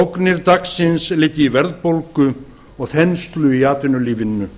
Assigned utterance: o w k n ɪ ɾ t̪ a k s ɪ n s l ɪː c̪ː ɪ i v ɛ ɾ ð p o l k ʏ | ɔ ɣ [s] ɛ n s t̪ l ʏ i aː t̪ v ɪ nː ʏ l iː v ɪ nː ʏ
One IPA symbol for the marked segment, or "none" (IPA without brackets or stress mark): θ